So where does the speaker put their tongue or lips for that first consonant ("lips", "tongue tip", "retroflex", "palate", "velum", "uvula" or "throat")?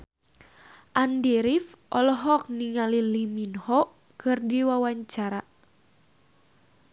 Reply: throat